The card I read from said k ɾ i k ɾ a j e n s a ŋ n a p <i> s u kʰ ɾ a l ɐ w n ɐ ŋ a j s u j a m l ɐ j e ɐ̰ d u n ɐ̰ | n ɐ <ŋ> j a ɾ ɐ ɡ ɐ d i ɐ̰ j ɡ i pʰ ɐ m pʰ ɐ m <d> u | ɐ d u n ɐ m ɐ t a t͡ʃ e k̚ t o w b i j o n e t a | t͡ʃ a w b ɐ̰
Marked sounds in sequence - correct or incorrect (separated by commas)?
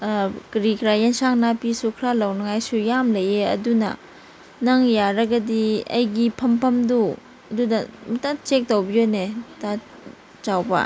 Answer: correct, correct, correct